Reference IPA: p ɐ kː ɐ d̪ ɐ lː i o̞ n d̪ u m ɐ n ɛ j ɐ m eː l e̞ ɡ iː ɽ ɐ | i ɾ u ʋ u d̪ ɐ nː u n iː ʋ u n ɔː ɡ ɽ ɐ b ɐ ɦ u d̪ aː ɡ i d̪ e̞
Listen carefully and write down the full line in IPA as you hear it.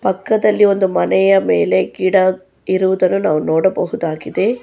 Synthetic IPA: p ɐ kː ɐ d̪ ɐ lː i o̞ n d̪ u m ɐ n ɛ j ɐ m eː l e̞ ɡ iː ɽ ɐ | i ɾ u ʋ u d̪ ɐ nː u n aː ʋ u n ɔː ɽ ɐ b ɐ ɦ u d̪ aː ɡ i d̪ e̞

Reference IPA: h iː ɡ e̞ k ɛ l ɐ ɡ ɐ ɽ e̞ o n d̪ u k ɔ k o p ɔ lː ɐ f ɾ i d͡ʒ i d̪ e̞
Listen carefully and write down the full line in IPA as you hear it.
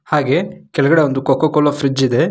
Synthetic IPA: h aː ɡ e̞ k ɛ l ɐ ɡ ɐ ɽ e̞ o n d̪ u k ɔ k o k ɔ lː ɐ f ɾ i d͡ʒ i d̪ e̞

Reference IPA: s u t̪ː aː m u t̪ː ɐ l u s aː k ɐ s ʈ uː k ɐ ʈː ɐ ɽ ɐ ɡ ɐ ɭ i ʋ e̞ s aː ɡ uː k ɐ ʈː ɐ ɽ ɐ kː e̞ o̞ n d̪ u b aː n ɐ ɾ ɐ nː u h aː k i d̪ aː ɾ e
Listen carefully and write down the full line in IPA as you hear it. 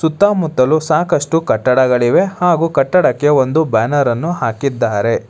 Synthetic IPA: s u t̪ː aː m u t̪ː ɐ l u s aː k ɐ ʂ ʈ u k ɐ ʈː ɐ ɽ ɐ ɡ ɐ ɭ i ʋ e̞ h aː ɡ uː k ɐ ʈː ɐ ɽ ɐ kː e̞ o̞ n d̪ u b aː n ɐ ɾ ɐ nː u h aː k i d̪ː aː ɾ e

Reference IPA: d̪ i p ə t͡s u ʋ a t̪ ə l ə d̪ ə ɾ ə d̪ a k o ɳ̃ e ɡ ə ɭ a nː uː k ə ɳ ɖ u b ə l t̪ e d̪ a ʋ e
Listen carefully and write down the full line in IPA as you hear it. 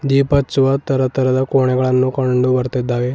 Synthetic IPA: d̪ i p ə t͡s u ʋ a t̪ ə ɾ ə t̪ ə ɾ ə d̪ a k o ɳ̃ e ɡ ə ɭ a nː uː k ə ɳ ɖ u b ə ɾ t̪ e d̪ a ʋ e

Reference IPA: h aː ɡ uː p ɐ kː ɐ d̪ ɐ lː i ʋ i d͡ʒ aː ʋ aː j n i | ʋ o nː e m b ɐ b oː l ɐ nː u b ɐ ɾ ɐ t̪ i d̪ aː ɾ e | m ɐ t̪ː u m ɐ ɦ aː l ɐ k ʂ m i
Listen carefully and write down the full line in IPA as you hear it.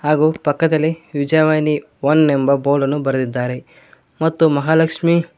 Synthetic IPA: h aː ɡ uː p ɐ kː ɐ d̪ ɐ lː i ʋ i d͡ʒ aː ʋ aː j n i | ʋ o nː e m b ɐ b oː l ɐ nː u b ɐ ɾ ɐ d̪ i d̪ː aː ɾ e | m ɐ t̪ː u m ɐ ɦ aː l ɐ k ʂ m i

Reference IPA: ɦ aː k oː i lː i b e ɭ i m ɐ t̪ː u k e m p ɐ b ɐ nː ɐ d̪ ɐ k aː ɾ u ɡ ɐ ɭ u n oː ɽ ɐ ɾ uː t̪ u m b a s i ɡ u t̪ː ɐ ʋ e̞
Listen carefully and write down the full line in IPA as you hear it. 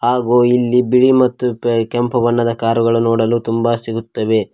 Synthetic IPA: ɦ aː ɡ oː i lː i b i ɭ i m ɐ t̪ː u k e m p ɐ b ɐ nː ɐ d̪ ɐ k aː ɾ u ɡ ɐ ɭ u n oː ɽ ɐ l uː t̪ u m b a s i ɡ u t̪ː ɐ ʋ e̞

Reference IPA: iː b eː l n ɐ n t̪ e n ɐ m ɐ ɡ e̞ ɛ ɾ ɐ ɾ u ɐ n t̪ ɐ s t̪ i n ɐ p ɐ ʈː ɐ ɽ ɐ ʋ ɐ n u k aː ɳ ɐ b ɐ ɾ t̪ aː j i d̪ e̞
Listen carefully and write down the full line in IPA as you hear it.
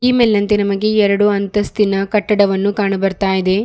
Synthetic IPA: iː m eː l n ɐ n t̪ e n ɐ m ɐ ɡ e̞ ɛ ɾ ɐ ɽ u ɐ n t̪ ɐ s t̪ i n ɐ k ɐ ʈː ɐ ɽ ɐ ʋ ɐ nː u k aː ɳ ɐ b ɐ ɾ t̪ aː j i d̪ e̞

